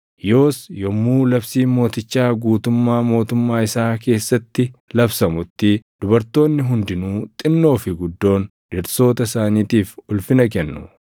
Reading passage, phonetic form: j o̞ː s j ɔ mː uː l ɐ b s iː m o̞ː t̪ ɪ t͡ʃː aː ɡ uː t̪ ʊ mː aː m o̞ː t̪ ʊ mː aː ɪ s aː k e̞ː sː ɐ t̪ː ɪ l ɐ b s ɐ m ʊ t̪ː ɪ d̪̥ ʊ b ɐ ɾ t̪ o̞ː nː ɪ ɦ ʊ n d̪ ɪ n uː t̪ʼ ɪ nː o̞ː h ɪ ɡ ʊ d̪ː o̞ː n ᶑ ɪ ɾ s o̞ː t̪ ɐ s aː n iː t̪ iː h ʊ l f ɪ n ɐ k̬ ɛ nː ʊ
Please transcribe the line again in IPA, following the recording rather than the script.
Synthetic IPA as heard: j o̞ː s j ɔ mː uː l ɐ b s iː m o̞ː t̪ ɪ t͡ʃː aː ɡ uː t̪ ʊ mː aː m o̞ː t̪ ʊ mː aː ɪ s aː k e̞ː sː ɐ t̪ː ɪ l ɐ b s ɐ m ʊ t̪ː ɪ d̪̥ ʊ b ɐ ɾ t̪ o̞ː nː ɪ ɦ ʊ n d̪ ɪ n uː t̪ʼ ɪ nː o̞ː f ɪ ɡ ʊ d̪ː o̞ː n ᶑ ɪ ɾ s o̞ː t̪ ɐ s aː n iː t̪ iː f ʊ l f ɪ n ɐ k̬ ɛ nː ʊ